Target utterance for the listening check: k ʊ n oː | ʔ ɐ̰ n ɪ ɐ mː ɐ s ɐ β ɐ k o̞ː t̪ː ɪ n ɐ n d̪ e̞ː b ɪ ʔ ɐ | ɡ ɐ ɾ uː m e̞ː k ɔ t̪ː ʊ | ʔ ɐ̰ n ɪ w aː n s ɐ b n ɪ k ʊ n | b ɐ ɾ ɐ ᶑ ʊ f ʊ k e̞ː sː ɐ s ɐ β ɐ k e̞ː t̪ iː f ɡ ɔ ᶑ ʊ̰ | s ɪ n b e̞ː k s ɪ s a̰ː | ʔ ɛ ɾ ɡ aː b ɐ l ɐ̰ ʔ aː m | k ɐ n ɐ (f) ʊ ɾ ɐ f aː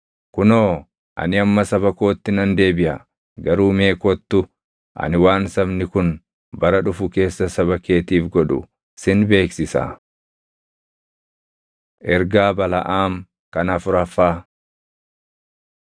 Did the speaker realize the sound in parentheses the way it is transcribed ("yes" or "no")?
yes